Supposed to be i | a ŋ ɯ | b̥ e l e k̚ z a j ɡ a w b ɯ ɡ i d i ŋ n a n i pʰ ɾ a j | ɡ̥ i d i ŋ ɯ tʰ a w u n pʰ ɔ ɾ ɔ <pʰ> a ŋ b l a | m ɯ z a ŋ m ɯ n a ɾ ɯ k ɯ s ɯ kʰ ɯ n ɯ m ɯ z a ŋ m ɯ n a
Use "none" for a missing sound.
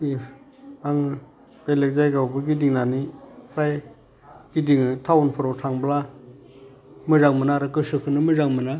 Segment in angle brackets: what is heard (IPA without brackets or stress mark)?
tʰ